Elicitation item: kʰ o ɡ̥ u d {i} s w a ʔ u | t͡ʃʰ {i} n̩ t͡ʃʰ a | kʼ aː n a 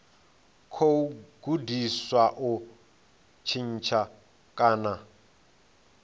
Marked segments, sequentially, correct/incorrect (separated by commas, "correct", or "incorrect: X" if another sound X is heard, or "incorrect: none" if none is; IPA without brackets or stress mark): correct, correct